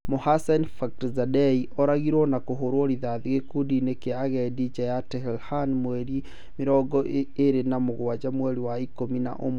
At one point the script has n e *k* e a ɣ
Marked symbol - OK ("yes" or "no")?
yes